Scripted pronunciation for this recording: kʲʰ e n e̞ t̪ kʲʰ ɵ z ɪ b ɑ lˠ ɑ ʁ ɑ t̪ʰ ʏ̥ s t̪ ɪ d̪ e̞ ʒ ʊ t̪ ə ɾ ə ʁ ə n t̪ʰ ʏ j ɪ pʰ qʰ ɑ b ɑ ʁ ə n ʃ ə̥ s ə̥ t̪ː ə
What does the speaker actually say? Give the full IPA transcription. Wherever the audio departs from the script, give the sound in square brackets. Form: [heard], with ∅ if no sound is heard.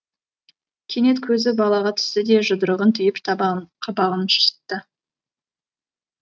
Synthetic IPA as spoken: kʲʰ e n e̞ t̪ kʲʰ ɵ z ɪ b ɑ lˠ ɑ ʁ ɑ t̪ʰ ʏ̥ s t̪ ɪ d̪ e̞ ʒ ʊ [d̪] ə ɾ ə ʁ ə n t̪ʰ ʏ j ɪ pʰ qʰ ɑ b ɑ ʁ ə n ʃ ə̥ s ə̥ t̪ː ə

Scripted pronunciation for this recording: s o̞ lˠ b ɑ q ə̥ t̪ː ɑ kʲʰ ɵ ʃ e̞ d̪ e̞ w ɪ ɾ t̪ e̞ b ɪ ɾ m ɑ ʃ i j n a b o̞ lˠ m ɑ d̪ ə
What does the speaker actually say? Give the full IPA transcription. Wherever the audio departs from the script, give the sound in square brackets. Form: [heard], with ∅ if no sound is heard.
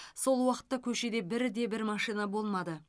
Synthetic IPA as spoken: s o̞ lˠ [w] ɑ q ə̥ t̪ː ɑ kʲʰ ɵ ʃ e̞ d̪ e̞ [b] ɪ ɾ [d̪] e̞ b ɪ ɾ m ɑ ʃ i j n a b o̞ lˠ m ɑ d̪ ə

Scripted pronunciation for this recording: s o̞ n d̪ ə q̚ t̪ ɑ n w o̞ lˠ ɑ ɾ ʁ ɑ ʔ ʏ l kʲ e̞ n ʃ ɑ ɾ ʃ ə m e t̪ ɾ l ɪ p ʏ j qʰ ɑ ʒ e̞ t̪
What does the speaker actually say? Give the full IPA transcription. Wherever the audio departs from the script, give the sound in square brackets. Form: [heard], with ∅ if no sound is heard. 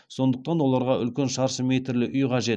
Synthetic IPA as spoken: s o̞ n d̪ ə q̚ t̪ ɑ n w o̞ lˠ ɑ ɾ ʁ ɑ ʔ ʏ l kʲ e̞ n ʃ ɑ ɾ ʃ ə m e t̪ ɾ l ɪ [ʔ] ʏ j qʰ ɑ ʒ e̞ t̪

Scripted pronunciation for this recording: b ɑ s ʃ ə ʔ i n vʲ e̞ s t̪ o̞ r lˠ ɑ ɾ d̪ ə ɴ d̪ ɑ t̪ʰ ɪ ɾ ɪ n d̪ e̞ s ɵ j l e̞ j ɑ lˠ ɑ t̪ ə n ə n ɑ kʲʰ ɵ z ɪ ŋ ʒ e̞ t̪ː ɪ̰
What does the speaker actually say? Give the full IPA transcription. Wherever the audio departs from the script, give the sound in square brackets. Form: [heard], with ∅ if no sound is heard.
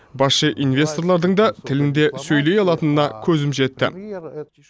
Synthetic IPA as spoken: b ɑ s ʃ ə ʔ i n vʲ e̞ s t̪ o̞ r lˠ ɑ ɾ d̪ ə ɴ d̪ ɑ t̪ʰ ɪ [l] ɪ n d̪ e̞ s ɵ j l e̞ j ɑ lˠ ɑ t̪ ə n ə n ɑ kʲʰ ɵ z ɪ [m] ʒ e̞ t̪ː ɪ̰

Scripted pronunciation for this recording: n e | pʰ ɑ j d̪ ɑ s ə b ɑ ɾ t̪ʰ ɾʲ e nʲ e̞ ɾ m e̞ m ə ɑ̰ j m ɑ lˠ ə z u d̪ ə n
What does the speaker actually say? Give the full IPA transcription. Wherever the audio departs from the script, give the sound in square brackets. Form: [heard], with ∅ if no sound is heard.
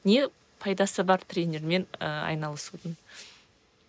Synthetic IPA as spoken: n e | pʰ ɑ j d̪ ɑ s ə b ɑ ɾ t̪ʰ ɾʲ e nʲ e̞ ɾ m e̞ [n] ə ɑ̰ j [n] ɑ lˠ ə [s] u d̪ ə n

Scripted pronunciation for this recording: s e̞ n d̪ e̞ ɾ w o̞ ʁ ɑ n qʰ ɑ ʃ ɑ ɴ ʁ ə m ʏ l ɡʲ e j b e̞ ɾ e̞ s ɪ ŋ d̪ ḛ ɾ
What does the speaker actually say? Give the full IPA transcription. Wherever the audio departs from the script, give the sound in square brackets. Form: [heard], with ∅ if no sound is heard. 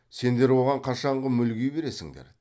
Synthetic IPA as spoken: s e̞ n d̪ e̞ ɾ w o̞ ʁ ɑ [ɴ] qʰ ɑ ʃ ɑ ɴ ʁ ə m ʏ l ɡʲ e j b e̞ ɾ e̞ s ɪ ŋ d̪ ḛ ɾ

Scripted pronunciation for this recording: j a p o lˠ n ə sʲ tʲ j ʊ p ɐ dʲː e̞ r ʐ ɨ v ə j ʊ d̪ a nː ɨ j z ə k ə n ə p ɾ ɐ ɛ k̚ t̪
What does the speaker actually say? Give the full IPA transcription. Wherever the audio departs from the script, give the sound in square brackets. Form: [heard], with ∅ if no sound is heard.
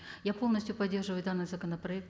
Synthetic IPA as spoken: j a p o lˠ n ə sʲ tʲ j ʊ p ɐ dʲː e̞ r ʐ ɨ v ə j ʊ d̪ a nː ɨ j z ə k ə n ə p ɾ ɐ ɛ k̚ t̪

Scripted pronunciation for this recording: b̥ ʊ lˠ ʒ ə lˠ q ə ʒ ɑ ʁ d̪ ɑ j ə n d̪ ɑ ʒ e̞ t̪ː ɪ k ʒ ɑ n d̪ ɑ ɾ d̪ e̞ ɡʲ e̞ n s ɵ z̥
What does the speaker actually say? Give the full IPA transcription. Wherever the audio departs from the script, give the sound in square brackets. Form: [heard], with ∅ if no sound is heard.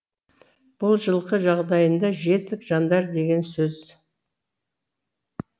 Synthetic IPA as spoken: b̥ ʊ lˠ ʒ ə lˠ q ə ʒ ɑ ʁ d̪ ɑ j ə n d̪ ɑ ʒ e̞ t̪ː ɪ k ʒ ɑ n d̪ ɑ ɾ d̪ e̞ ɡʲ e̞ n s ɵ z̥

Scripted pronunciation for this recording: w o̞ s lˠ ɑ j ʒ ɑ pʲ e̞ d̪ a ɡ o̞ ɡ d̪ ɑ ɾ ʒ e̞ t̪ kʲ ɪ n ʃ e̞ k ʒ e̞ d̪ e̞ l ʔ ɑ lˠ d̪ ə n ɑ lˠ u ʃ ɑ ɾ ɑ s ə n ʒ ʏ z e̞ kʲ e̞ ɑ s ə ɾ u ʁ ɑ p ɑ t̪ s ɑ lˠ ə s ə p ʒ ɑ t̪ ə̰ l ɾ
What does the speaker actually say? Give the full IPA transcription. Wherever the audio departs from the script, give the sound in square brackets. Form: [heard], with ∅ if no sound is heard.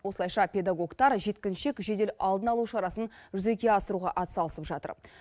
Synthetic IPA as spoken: w o̞ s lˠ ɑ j [ʃ] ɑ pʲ e̞ d̪ a ɡ o̞ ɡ [t̪] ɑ ɾ ʒ e̞ t̪ kʲ ɪ n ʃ e̞ k ʒ e̞ d̪ e̞ l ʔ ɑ lˠ d̪ ə n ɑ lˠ u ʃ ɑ ɾ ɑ s ə n ʒ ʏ z e̞ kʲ e̞ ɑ s ə ɾ u ʁ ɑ [ʔ] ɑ t̪ s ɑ lˠ ə s ə p ʒ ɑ t̪ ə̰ [∅] ɾ

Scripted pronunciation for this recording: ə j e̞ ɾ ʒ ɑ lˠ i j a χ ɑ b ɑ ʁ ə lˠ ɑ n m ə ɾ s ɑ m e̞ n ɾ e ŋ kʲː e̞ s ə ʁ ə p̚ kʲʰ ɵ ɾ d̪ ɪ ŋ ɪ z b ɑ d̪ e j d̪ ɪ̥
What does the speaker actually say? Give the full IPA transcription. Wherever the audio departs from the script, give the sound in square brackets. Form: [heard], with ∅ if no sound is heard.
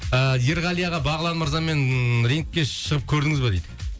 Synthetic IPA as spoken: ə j e̞ ɾ [ʁ] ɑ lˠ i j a [ʁ] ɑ b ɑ ʁ ə lˠ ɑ n m ə ɾ [z] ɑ m e̞ n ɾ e ŋ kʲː e̞ [ʃ] ə ʁ ə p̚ kʲʰ ɵ ɾ d̪ ɪ ŋ ɪ z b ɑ d̪ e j d̪ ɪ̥

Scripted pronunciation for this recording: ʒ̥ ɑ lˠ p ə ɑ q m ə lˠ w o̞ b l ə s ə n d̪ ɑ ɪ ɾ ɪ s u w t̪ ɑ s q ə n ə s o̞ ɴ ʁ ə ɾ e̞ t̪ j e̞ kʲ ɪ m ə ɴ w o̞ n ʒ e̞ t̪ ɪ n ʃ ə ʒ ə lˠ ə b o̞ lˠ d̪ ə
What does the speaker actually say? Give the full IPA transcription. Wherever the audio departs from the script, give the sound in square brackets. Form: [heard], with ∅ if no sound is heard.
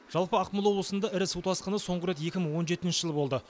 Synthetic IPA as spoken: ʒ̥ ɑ lˠ p ə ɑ q m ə lˠ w o̞ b l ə s ə n d̪ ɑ ɪ ɾ ɪ s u w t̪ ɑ s q ə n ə s o̞ ɴ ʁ ə ɾ e̞ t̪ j e̞ kʲ ɪ m ə ɴ w o̞ n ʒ e̞ t̪ ɪ n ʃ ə ʒ ə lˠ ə b o̞ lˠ d̪ ə

